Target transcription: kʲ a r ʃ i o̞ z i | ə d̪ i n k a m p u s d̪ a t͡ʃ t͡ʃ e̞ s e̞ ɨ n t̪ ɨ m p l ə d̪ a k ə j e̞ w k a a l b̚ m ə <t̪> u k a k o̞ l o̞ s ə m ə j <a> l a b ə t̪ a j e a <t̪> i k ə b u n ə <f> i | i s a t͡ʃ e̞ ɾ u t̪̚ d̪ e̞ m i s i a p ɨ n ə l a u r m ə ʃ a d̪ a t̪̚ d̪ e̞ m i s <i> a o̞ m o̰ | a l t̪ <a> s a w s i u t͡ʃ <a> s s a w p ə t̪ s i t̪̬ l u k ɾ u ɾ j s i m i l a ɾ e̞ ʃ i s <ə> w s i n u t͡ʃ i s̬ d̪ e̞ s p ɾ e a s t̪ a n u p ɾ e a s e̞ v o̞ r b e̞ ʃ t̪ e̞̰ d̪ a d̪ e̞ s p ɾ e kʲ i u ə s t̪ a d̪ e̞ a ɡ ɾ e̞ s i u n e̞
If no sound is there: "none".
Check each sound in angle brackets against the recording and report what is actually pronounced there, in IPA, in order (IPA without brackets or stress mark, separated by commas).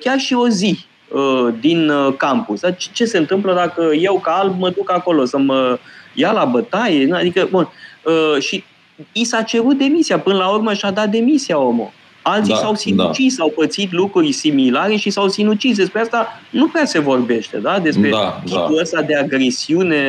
d̪, a, d̪, ʃ, i, i, i, a